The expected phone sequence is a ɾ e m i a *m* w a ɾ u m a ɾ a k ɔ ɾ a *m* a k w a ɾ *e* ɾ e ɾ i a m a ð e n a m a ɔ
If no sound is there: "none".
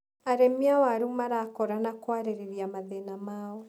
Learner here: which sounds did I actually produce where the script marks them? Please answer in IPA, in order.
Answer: none, n, e

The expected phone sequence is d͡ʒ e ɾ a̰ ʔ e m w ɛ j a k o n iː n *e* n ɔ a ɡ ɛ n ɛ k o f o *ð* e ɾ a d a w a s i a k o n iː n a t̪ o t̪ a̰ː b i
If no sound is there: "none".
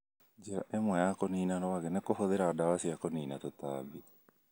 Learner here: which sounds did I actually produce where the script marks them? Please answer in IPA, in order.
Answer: a, ð

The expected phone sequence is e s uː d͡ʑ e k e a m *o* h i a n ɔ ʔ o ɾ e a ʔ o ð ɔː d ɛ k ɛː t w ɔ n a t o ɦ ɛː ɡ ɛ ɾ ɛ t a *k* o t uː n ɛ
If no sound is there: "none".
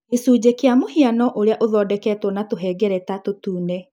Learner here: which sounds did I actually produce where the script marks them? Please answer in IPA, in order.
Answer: o, t

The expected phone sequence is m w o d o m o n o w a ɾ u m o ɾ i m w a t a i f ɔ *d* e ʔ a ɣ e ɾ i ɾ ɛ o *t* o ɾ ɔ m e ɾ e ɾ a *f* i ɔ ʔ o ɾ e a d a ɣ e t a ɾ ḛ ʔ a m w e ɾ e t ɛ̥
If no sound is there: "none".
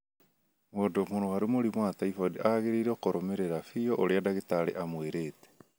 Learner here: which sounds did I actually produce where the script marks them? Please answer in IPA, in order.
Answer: d, k, f

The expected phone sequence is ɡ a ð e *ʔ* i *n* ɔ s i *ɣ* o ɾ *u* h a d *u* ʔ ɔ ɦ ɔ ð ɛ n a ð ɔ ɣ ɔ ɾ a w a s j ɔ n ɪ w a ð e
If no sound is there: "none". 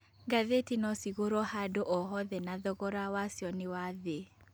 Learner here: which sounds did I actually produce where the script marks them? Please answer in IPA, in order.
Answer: t, n, ɣ, ɔ, o

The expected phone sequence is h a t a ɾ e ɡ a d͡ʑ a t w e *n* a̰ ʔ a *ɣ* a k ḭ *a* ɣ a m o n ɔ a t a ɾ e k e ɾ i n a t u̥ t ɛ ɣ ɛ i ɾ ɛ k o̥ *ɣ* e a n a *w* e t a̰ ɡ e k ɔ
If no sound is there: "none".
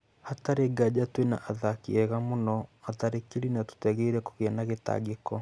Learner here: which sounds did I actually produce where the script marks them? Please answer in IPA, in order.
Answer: n, ð, ɛ, ɣ, ɣ

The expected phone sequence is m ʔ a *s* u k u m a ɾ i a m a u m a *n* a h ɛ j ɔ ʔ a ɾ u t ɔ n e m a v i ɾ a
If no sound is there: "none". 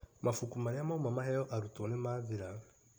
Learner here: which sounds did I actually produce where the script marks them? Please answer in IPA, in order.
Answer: f, m

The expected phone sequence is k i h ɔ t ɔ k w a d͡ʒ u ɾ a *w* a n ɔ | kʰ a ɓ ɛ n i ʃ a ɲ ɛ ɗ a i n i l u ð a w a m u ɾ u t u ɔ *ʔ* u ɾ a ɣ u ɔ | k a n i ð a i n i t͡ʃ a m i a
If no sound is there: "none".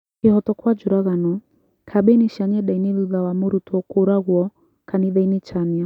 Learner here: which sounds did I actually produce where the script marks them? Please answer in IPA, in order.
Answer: ɣ, k

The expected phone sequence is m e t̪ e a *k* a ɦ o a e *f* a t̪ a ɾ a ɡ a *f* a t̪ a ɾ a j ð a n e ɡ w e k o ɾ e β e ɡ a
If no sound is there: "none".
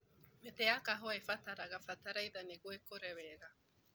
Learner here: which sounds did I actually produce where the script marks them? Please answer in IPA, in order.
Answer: k, f, f

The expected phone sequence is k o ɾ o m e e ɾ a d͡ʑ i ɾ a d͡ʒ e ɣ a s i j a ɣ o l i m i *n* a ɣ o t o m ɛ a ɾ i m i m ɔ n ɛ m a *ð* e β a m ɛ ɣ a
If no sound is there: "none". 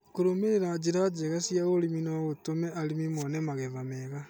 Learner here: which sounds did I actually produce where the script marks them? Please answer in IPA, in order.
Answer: n, ɣ

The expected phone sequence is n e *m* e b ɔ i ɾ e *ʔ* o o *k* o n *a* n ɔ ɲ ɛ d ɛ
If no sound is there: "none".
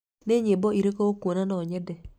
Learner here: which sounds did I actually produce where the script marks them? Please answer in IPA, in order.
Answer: ɲ, k, k, a

